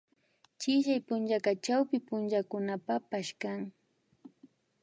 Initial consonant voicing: voiceless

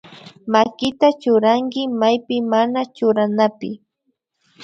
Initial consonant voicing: voiced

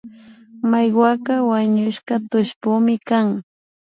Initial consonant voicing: voiced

